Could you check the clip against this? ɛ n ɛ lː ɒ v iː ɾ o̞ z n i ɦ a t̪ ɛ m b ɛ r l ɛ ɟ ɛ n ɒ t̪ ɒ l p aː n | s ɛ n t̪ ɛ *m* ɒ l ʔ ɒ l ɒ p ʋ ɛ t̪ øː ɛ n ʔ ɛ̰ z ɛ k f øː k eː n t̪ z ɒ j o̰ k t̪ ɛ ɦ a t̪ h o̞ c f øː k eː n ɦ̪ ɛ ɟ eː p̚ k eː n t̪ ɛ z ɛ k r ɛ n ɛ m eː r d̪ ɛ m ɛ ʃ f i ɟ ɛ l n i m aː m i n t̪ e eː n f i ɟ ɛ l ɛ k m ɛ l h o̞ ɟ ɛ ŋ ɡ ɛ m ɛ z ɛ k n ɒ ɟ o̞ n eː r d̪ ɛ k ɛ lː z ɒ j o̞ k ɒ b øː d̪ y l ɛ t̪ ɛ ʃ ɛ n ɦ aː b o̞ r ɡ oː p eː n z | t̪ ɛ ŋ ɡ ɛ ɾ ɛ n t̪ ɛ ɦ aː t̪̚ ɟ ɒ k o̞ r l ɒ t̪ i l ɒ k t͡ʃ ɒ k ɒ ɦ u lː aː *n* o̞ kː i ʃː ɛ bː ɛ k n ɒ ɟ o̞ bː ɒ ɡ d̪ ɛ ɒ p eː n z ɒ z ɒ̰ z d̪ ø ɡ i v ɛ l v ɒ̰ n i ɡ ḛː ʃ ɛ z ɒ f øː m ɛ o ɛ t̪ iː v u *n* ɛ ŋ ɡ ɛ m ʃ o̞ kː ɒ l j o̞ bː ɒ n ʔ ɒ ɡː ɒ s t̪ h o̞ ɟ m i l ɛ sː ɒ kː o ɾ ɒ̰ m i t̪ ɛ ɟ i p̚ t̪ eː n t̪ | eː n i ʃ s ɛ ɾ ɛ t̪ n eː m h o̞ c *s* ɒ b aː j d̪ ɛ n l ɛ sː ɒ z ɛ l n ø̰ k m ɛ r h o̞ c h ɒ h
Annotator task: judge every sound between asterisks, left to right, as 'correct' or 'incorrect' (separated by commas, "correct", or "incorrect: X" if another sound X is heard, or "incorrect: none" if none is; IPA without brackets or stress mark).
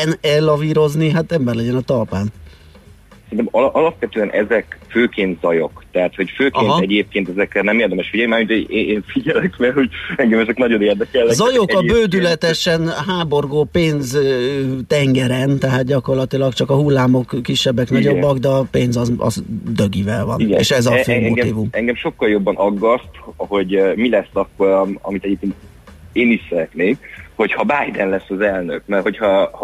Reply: correct, incorrect: m, incorrect: m, incorrect: h